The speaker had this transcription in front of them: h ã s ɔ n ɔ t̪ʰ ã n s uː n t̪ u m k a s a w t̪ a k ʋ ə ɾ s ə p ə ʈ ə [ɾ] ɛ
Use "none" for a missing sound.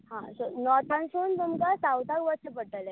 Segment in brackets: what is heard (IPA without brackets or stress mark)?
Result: l